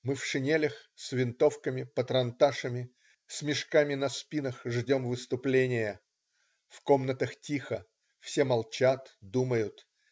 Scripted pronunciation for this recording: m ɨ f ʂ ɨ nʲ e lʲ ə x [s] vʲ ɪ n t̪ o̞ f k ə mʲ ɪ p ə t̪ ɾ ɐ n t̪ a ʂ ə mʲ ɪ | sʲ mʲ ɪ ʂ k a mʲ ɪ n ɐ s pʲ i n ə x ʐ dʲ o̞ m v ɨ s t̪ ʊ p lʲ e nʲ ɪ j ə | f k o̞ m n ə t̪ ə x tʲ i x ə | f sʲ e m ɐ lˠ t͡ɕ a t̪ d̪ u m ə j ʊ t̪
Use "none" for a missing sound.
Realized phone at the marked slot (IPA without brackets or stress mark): s